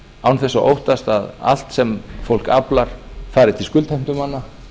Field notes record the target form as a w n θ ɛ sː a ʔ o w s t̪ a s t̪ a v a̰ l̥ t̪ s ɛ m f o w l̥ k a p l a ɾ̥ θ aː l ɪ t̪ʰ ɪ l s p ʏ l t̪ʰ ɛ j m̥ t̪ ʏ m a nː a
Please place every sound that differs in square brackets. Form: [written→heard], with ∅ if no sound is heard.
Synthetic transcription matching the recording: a w n θ ɛ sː a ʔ o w [s→h] t̪ a s t̪ a [v→ð] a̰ l̥ t̪ s ɛ m f o w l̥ k a p l a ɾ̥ [θ→f] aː [l→ɾ] ɪ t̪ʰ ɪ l s [p→k] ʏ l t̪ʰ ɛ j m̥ t̪ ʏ m a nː a